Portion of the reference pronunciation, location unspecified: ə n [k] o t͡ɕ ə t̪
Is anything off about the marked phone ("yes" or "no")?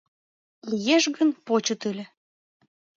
yes